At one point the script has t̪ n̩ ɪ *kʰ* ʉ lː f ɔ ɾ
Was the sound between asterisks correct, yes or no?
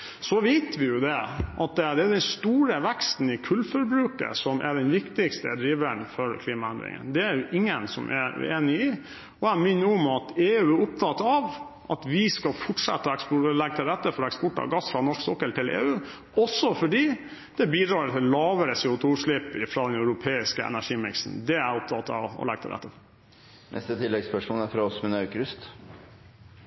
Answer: yes